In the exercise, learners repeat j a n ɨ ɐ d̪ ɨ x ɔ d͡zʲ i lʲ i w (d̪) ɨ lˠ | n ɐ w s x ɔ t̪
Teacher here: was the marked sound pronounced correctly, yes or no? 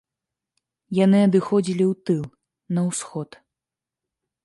no